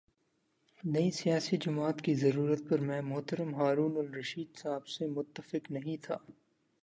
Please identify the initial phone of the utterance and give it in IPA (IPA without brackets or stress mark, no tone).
n